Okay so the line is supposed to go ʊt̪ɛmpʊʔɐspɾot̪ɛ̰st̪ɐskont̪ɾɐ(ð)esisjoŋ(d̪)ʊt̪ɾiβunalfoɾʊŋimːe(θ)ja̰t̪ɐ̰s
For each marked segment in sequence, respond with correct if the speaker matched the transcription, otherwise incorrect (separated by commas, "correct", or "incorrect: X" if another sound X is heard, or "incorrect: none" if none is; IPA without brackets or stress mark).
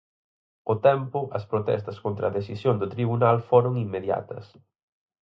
correct, correct, incorrect: ð